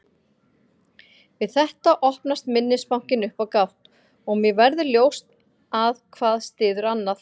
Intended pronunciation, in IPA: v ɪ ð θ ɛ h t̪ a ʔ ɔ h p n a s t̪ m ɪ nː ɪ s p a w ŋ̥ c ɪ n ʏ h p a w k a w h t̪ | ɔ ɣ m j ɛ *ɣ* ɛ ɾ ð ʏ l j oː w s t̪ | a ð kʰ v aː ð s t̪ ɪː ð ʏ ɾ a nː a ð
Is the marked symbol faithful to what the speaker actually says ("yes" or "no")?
no